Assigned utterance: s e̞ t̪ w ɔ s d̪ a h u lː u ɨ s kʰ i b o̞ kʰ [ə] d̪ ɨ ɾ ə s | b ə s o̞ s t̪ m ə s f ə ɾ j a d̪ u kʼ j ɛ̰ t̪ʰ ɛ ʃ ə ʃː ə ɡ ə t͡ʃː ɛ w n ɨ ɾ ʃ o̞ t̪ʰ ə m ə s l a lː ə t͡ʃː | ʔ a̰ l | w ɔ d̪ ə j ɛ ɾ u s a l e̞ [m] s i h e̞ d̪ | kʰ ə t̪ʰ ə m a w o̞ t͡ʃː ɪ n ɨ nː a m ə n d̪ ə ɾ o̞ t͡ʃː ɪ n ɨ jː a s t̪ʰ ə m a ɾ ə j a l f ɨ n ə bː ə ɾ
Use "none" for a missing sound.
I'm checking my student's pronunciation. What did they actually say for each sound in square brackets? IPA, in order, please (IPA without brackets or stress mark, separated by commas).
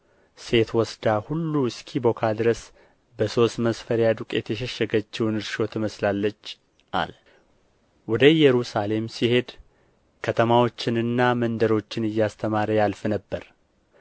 a, m